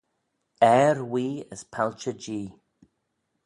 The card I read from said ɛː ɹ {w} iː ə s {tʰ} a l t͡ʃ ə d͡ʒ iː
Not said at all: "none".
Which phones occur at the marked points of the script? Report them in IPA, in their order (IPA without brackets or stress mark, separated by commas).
w, pʰ